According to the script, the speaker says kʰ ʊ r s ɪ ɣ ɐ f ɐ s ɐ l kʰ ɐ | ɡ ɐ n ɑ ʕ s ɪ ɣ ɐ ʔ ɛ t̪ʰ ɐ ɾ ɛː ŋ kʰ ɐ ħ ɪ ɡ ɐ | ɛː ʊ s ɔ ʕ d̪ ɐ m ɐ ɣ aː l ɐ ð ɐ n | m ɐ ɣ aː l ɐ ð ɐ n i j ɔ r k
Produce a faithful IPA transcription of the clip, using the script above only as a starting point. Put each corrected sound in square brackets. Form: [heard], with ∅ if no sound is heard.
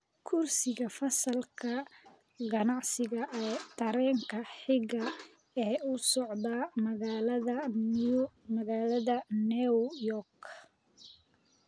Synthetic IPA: kʰ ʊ r s ɪ ɣ ɐ f ɐ s ɐ l kʰ ɐ | ɡ ɐ n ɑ ʕ s ɪ ɣ ɐ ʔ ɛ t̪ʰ ɐ ɾ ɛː ŋ kʰ ɐ ħ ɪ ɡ ɐ | ɛː ʊ s ɔ ʕ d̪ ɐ m ɐ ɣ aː l ɐ ð ɐ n | m ɐ ɣ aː l ɐ ð ɐ n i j ɔ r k